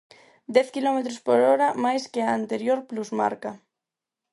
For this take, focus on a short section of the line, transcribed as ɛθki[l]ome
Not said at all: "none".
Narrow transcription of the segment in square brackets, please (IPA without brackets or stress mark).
l